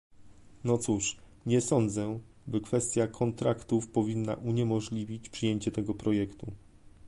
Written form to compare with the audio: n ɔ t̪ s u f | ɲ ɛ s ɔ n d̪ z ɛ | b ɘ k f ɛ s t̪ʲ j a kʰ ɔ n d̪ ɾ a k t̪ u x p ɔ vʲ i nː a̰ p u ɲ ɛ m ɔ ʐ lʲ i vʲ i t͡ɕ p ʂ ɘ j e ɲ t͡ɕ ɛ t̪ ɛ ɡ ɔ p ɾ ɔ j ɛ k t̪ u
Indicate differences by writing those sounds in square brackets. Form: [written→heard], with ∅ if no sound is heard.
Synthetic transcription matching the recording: n ɔ t̪ s u [f→ʂ] | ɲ ɛ s ɔ n d̪ z ɛ | b ɘ k f ɛ s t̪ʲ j a kʰ ɔ n [d̪→t̪] ɾ a k t̪ u [x→f] p ɔ vʲ i nː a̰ [p→ʔ] u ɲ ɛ m ɔ ʐ lʲ i vʲ i t͡ɕ p ʂ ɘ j e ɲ t͡ɕ ɛ t̪ ɛ ɡ ɔ p ɾ ɔ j ɛ k t̪ u

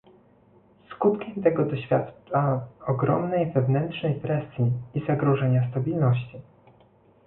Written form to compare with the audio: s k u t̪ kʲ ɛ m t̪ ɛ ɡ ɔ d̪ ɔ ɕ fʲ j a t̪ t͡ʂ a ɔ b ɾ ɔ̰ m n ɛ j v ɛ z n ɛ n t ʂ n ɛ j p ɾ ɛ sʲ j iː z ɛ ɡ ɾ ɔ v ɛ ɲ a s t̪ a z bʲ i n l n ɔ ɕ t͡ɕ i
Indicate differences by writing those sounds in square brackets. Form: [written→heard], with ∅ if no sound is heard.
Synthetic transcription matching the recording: s k u t̪ kʲ ɛ m t̪ ɛ ɡ ɔ d̪ ɔ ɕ fʲ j a t̪ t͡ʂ a ɔ [b→ɡ] ɾ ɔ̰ m n ɛ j v ɛ [z→v] n ɛ n t ʂ n ɛ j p ɾ ɛ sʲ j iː z [ɛ→a] ɡ ɾ ɔ [v→ʐ] ɛ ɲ a s t̪ a [z→∅] bʲ i [n→∅] l n ɔ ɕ t͡ɕ i

